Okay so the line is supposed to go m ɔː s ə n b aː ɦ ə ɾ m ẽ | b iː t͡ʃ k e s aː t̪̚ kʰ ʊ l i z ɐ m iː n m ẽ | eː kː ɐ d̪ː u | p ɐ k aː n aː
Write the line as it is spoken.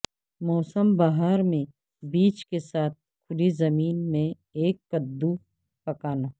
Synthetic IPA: m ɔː s ə m b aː ɦ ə ɾ m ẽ | b iː t͡ʃ k e s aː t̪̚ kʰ ʊ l i z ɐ m iː n m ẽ | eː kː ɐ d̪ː u | p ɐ k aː n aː